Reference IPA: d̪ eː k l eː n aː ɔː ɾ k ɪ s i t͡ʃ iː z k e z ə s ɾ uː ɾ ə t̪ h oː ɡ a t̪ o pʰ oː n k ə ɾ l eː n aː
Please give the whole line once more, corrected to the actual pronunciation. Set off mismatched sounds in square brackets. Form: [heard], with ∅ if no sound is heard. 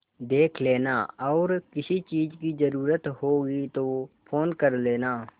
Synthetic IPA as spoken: d̪ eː [kʰ] l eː n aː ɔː ɾ k ɪ s i t͡ʃ iː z k [i] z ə [∅] ɾ uː ɾ ə t̪ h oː ɡ [i] t̪ o pʰ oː n k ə ɾ l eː n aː